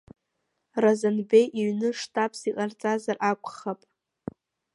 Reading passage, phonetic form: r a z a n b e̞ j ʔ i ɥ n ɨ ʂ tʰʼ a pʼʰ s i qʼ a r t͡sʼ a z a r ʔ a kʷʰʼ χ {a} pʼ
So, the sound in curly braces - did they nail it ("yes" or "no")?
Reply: yes